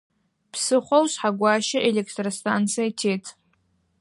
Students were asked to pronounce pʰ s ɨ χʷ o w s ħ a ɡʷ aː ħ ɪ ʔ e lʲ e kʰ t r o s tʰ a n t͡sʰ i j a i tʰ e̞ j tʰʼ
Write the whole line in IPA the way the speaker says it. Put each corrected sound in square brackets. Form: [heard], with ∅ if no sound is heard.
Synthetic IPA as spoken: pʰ s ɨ χʷ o w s ħ a ɡʷ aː [ʃ] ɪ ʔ e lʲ e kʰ t r o s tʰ a n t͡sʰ i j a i tʰ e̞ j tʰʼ